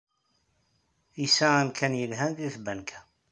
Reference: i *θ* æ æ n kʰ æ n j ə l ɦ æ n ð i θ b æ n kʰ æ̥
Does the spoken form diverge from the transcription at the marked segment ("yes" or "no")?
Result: yes